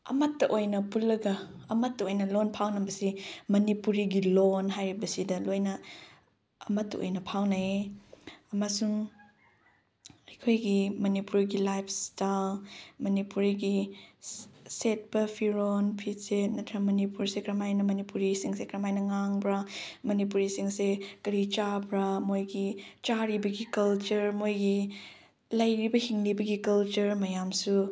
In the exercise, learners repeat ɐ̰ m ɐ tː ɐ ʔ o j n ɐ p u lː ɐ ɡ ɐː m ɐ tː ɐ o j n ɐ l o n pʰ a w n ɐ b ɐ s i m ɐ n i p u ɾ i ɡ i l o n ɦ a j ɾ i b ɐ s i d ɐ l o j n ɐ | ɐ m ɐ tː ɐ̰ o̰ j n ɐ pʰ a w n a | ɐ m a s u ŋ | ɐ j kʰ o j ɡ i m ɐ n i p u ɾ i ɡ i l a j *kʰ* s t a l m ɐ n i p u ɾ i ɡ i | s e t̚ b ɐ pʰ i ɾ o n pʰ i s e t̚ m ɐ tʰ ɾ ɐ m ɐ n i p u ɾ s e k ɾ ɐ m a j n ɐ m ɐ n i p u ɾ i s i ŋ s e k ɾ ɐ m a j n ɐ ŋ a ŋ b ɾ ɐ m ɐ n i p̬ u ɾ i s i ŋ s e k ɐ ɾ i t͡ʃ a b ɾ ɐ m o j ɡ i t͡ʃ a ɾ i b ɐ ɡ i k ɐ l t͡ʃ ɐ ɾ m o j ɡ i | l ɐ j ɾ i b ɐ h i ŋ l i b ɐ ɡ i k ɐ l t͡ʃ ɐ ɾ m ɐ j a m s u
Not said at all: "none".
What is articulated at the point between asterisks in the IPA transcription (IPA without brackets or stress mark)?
pʰ